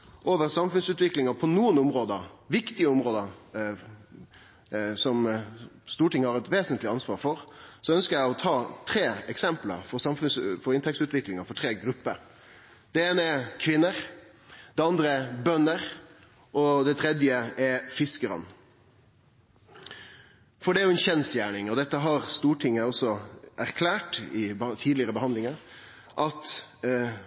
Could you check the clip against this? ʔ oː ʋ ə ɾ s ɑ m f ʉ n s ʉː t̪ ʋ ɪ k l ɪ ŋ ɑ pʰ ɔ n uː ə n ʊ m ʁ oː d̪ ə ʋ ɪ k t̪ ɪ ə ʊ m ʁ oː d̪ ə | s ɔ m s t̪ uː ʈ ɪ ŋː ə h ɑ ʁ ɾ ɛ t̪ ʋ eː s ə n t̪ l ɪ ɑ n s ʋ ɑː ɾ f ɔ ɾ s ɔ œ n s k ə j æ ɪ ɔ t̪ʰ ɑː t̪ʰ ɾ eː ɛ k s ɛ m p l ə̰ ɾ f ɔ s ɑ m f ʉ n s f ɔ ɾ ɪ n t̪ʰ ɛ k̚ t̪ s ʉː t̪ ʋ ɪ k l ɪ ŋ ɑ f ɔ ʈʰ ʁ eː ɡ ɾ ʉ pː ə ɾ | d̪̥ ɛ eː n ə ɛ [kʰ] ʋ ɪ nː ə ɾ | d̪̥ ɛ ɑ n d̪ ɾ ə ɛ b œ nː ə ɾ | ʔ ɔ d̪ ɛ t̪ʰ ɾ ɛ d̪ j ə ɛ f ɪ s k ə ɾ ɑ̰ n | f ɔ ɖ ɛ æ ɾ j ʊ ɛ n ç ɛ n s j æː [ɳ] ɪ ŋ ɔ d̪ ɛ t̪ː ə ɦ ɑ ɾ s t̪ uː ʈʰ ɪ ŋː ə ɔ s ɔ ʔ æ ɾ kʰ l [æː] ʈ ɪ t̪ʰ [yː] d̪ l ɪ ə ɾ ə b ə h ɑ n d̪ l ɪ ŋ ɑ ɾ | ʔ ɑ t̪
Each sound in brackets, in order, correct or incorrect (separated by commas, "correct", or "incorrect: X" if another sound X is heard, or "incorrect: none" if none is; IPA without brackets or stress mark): correct, correct, correct, incorrect: iː